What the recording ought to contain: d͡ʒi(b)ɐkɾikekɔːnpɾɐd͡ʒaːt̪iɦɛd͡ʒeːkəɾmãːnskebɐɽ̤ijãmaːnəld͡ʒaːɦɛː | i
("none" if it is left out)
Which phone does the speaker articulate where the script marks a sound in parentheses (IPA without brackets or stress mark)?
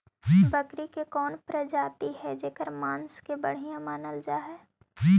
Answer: b